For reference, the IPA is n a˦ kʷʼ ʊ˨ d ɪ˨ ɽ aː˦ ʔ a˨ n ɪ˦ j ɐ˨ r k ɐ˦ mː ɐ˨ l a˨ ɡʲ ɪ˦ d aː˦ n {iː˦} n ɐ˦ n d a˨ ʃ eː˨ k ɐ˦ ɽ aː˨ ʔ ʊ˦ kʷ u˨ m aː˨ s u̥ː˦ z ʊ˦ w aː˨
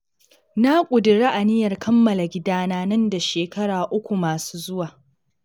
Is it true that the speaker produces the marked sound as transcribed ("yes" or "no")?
no